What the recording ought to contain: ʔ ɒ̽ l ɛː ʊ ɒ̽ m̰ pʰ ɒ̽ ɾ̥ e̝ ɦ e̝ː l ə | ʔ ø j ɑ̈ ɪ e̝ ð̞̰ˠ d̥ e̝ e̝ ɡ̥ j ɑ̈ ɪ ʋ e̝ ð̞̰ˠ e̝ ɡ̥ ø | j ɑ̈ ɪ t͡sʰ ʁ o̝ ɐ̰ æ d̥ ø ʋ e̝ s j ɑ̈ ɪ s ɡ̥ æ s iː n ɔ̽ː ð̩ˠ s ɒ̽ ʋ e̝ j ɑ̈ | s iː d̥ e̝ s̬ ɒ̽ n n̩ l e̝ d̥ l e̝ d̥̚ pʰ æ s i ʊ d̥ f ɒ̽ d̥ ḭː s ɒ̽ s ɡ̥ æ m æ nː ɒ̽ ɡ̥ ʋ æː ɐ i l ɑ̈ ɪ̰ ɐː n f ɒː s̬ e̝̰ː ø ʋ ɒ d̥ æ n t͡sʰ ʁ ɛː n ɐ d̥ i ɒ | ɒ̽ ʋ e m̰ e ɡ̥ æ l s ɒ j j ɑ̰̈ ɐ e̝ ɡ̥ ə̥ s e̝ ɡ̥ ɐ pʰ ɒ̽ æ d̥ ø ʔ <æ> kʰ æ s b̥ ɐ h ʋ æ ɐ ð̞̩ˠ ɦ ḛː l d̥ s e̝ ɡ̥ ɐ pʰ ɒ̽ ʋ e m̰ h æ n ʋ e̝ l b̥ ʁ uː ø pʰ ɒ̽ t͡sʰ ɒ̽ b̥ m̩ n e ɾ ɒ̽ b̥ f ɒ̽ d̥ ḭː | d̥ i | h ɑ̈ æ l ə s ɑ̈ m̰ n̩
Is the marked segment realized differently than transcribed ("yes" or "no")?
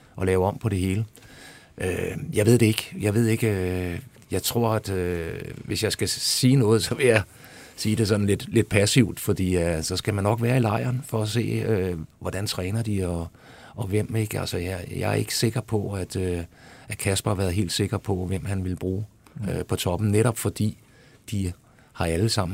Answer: no